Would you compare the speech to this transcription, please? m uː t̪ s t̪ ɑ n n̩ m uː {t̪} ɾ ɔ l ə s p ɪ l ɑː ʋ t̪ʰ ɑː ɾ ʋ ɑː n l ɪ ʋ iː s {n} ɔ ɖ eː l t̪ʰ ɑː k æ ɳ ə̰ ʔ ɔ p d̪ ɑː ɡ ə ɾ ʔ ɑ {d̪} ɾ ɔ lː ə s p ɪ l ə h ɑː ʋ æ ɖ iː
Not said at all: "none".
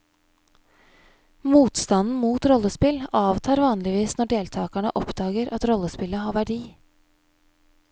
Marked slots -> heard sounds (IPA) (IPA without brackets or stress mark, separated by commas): t̪, n, t̪